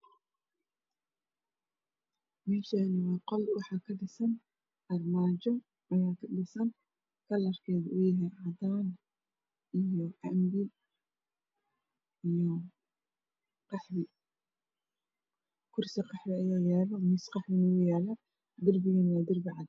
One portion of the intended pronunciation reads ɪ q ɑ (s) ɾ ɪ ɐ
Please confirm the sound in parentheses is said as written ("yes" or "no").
no